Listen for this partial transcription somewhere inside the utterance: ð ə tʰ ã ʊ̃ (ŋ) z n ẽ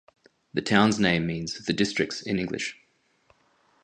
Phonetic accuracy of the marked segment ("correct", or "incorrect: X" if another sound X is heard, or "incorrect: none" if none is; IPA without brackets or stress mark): incorrect: n